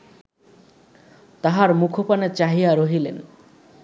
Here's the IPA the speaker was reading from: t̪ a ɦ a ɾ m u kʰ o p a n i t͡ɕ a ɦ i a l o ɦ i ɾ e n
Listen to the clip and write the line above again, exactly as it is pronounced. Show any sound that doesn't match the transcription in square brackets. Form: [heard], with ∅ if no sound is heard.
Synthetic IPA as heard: t̪ a ɦ a ɾ m u kʰ o p a n [e] t͡ɕ a ɦ i a [ɾ] o ɦ i [l] e n